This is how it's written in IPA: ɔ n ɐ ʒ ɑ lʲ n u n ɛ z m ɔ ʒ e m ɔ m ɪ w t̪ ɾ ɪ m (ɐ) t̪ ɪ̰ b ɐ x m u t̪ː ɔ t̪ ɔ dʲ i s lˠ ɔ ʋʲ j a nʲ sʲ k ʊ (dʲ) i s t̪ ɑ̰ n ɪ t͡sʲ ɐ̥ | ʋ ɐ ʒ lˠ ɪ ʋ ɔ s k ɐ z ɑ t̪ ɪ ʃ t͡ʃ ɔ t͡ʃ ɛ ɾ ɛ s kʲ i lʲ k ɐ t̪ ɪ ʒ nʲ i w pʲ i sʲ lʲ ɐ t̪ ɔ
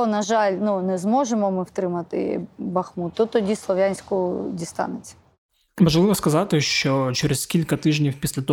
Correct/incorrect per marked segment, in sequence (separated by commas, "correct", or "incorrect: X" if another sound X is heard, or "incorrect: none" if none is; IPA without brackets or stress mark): correct, correct